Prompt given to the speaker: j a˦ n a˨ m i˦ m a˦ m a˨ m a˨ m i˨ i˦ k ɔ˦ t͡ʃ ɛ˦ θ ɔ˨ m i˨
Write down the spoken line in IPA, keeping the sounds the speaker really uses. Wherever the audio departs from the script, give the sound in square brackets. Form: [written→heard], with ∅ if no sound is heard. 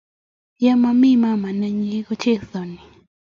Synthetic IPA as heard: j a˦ [n→m] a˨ m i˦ m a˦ m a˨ [m→n] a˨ [m→ɲ] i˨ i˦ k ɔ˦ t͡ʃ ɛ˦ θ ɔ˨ [m→n] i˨